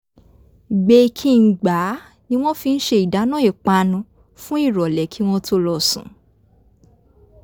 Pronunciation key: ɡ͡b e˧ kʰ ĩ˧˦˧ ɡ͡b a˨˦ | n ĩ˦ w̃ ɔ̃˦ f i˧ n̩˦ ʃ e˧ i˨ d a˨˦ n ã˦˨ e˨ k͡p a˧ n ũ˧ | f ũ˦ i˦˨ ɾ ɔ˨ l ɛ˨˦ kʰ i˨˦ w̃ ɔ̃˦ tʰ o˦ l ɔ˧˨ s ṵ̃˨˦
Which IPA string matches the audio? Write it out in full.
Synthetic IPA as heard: ɡ͡b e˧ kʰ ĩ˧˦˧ ɡ͡b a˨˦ | n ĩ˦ w̃ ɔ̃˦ f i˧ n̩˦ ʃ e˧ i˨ d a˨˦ n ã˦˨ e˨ k͡p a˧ n ũ˧ | f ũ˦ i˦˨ ɾ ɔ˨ l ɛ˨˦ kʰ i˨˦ w̃ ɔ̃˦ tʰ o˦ l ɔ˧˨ s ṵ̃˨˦